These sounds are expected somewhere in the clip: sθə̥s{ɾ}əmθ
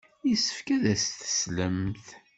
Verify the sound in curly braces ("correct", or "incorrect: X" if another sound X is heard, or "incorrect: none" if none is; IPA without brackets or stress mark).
incorrect: l